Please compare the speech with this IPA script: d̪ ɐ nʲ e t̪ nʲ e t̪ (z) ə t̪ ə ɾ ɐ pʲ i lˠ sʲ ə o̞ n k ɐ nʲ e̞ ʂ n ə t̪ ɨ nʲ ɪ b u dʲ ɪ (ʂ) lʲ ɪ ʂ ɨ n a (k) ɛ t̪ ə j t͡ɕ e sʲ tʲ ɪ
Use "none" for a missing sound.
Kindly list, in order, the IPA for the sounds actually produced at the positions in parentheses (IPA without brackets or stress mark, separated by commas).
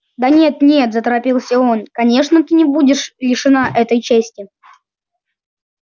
z, ʂ, ʔ